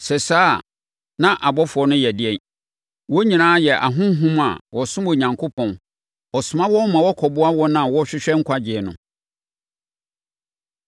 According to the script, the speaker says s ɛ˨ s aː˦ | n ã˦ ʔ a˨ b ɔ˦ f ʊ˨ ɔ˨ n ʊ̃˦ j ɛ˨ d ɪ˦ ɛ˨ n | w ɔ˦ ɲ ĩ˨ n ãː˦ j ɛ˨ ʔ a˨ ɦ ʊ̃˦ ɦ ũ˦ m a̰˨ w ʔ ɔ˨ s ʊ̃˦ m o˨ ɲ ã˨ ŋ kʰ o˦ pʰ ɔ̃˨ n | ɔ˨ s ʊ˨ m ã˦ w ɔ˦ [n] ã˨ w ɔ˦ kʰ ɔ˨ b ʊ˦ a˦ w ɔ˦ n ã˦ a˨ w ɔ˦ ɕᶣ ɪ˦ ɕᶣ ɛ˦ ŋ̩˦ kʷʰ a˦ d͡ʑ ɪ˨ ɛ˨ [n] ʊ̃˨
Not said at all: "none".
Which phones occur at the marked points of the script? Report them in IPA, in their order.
m, n

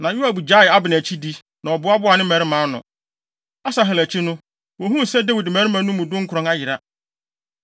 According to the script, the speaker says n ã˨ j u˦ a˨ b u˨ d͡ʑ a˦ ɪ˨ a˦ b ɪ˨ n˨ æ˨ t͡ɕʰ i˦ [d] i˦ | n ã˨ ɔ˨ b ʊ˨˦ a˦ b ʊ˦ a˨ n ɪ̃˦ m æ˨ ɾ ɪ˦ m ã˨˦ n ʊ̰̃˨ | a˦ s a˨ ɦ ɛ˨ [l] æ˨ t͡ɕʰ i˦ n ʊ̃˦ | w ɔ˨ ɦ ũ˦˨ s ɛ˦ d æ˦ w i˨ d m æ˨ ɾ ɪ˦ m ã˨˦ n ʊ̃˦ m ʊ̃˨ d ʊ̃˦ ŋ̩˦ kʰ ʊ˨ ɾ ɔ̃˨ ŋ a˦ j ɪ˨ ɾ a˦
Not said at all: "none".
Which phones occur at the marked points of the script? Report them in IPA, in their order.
d, l

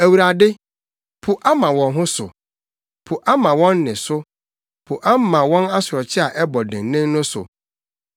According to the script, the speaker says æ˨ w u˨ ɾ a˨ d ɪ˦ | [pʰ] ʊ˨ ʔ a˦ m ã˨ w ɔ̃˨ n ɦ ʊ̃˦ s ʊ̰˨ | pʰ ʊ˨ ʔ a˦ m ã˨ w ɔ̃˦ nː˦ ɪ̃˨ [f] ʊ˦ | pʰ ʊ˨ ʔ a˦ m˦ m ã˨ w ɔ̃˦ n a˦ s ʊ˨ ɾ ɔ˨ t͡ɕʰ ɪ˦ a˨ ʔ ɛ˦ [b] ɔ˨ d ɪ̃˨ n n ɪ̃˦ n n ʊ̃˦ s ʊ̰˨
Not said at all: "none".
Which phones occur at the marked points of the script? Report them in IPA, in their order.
pʰ, s, b

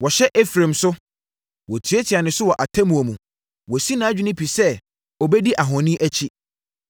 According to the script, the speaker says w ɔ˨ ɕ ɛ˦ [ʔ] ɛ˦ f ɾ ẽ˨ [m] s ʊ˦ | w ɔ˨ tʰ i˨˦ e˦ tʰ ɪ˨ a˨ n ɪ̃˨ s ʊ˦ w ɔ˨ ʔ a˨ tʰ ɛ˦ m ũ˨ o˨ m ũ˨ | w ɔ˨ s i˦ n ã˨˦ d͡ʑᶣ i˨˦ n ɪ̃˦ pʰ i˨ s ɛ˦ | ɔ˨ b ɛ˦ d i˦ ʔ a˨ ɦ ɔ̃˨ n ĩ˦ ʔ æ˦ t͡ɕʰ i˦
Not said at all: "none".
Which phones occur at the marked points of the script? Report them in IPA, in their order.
ʔ, m

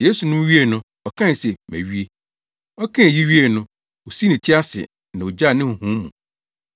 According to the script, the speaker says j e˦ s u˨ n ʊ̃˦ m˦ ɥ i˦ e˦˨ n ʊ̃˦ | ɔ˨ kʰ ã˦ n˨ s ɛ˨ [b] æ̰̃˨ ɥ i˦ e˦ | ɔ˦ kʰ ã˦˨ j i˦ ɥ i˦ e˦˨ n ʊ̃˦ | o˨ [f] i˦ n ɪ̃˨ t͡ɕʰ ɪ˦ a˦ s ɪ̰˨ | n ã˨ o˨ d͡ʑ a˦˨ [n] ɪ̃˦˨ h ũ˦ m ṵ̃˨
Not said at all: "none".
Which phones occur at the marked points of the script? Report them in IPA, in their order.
m, s, n

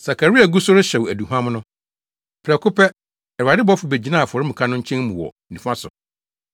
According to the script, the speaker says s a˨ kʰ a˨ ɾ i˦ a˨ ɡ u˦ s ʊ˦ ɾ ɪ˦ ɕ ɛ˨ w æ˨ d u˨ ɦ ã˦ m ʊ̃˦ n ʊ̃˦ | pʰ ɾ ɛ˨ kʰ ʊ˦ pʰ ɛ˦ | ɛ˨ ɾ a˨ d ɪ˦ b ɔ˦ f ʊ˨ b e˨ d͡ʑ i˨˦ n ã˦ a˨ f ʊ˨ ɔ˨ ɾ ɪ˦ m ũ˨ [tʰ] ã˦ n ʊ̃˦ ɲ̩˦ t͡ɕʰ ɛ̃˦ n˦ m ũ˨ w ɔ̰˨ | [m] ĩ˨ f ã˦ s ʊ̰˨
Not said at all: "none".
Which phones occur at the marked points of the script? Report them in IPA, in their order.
kʰ, n

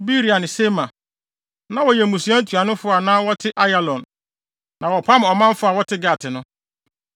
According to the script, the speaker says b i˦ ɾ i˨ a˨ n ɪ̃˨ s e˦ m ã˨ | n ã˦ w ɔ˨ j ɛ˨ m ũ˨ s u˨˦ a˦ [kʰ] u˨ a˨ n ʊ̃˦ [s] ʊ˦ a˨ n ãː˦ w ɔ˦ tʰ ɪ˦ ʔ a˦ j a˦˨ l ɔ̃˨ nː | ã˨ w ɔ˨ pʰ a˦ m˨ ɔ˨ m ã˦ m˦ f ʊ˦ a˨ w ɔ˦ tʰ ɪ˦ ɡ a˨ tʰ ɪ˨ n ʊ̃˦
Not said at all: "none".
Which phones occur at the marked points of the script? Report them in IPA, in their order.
tʰ, f

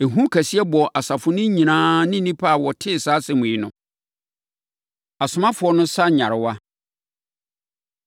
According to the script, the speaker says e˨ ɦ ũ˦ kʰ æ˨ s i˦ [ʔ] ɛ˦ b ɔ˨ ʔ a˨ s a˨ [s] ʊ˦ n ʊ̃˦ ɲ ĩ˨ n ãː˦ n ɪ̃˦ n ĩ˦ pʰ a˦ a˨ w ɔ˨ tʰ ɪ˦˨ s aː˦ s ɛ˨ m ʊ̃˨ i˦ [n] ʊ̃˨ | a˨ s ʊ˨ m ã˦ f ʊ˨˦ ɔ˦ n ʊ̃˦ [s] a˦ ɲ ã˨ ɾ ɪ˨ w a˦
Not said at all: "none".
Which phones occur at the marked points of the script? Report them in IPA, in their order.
none, f, n, s

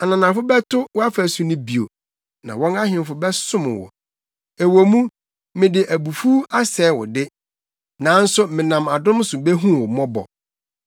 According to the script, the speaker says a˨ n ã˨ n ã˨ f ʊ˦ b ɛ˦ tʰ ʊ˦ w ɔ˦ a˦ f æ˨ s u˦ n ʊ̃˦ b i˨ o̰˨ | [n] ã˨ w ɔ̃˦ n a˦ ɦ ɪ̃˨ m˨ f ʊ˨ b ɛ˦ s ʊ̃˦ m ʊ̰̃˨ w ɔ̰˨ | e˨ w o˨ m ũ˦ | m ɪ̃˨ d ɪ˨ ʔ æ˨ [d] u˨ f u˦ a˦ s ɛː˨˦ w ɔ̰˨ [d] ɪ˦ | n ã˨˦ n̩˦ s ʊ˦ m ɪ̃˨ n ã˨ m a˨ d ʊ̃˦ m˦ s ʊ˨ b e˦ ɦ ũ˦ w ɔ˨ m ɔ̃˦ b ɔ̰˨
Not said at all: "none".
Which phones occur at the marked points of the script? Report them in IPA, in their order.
n, b, d

